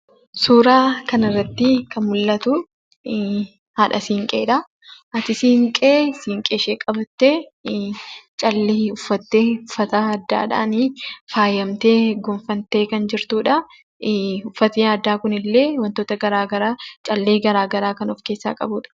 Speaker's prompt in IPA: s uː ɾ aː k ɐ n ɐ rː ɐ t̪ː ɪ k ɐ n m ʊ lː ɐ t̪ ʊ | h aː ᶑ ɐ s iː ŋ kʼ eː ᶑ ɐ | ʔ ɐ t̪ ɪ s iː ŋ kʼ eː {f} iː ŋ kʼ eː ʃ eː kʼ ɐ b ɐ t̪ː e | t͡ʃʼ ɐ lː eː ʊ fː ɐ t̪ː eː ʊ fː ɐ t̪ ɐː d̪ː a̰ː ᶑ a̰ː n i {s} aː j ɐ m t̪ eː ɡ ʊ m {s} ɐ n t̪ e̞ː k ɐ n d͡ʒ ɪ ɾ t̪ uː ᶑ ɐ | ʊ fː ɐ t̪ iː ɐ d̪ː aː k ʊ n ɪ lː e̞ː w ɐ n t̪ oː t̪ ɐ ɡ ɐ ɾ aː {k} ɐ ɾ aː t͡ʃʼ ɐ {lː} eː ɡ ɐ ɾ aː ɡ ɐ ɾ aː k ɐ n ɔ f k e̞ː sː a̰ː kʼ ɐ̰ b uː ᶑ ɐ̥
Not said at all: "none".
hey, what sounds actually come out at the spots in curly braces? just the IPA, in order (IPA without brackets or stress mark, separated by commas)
s, f, f, ɡ, lː